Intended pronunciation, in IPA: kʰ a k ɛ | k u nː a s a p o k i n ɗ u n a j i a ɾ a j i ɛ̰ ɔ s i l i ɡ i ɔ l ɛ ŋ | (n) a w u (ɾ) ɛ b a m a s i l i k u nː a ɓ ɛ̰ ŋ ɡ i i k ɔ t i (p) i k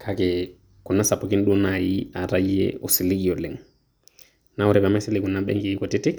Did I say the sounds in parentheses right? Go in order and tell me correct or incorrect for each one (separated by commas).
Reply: correct, correct, incorrect